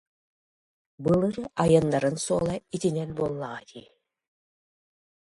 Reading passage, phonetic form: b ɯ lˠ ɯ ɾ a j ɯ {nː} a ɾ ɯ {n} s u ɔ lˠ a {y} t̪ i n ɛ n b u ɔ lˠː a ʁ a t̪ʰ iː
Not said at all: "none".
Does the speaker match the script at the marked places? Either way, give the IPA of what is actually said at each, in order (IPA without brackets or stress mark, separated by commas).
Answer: nː, n, i